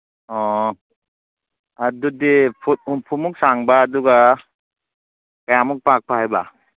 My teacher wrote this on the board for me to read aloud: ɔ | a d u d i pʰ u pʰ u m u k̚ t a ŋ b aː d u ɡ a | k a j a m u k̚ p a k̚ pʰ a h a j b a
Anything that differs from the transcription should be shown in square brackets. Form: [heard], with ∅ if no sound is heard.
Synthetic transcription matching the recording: ɔ | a d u d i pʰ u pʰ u m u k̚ [s] a ŋ b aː d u ɡ a | k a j a m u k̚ p a k̚ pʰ a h a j b a